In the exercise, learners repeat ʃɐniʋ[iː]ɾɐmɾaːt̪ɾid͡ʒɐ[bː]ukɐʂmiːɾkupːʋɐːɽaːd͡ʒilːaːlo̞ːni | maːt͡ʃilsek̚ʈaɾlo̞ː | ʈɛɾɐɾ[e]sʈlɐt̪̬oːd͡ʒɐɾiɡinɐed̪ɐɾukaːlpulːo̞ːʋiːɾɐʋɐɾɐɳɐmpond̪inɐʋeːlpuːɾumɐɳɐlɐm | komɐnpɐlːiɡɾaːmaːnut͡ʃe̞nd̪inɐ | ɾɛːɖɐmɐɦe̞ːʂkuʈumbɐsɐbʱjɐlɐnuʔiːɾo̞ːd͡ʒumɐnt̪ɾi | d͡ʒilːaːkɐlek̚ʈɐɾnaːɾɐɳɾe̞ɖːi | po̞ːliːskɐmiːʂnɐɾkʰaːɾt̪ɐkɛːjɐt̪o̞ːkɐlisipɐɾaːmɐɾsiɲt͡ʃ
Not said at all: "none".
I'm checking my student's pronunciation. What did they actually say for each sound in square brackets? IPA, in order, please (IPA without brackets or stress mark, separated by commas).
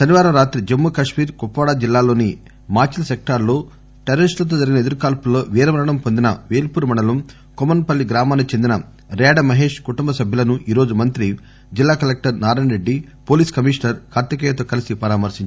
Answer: aː, mː, i